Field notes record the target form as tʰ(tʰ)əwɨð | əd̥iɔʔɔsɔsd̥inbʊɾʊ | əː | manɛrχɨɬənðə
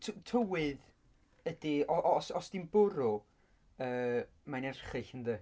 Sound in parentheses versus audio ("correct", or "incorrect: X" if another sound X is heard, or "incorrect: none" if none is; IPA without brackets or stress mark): correct